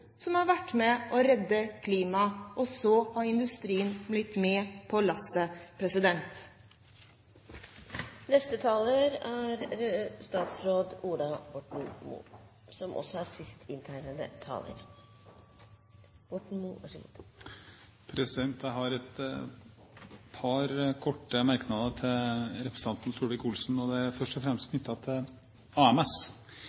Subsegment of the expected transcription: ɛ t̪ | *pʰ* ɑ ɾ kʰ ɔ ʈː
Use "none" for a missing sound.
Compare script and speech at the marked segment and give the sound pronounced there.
pʰ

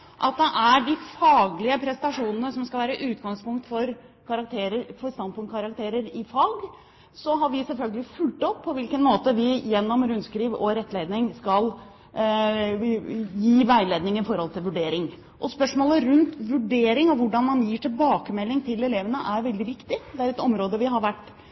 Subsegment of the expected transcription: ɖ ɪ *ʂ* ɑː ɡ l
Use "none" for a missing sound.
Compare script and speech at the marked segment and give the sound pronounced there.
f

